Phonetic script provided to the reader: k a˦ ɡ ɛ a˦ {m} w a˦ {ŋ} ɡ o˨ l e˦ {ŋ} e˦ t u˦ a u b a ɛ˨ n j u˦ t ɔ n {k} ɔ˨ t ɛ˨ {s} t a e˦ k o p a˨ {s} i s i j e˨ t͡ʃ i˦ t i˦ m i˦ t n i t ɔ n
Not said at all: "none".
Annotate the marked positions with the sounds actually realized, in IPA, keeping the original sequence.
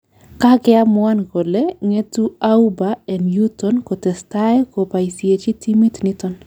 m, n, ŋ, k, s, none

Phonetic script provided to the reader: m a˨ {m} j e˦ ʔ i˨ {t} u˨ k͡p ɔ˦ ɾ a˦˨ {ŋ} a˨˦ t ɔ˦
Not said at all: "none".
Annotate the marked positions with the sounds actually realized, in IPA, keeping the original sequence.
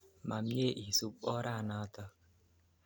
m, s, n

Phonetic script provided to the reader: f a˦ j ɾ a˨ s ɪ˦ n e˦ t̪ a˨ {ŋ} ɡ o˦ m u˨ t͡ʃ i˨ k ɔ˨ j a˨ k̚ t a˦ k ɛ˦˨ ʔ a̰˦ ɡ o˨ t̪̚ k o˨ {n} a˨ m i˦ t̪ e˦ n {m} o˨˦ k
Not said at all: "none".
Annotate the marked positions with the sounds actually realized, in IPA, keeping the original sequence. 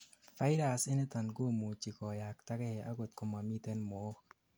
n, m, m

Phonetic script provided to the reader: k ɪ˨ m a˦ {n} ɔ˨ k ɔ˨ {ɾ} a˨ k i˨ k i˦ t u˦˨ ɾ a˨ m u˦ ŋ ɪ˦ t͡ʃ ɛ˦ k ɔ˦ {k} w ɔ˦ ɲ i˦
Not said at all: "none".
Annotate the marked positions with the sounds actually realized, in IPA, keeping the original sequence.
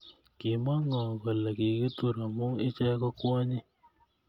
ŋ, l, k

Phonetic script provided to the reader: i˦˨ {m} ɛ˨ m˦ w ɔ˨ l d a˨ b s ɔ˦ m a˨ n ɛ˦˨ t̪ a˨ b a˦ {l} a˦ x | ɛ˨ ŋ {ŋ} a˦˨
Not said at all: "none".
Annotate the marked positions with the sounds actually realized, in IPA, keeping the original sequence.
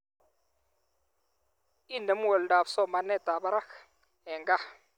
n, ɾ, ɡ

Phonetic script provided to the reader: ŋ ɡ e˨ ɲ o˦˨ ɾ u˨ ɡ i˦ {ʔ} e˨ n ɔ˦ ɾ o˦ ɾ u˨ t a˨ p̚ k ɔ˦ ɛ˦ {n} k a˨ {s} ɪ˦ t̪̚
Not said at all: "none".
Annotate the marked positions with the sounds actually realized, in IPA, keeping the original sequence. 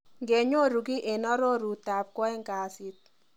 ʔ, ŋ, s

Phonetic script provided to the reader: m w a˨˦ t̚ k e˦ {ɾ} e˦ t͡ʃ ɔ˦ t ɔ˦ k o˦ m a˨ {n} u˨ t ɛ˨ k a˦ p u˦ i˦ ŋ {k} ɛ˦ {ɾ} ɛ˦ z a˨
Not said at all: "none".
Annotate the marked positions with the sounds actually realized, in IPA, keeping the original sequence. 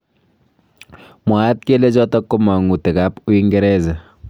l, ŋ, ɡ, ɾ

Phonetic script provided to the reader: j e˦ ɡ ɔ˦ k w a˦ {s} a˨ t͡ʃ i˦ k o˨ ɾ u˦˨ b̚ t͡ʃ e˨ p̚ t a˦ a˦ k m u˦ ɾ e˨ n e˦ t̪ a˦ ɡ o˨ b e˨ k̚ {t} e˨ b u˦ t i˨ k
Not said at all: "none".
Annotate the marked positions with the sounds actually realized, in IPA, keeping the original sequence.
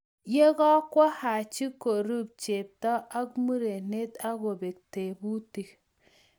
h, t

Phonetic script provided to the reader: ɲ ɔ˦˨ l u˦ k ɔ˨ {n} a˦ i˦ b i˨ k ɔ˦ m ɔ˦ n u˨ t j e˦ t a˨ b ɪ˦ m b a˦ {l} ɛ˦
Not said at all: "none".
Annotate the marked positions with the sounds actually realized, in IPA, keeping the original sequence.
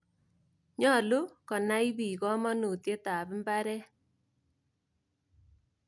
n, ɾ

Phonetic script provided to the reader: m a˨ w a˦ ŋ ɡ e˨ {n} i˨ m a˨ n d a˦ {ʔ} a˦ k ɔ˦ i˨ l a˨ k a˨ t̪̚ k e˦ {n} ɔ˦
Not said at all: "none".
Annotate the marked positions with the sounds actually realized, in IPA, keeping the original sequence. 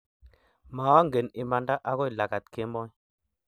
n, ʔ, m

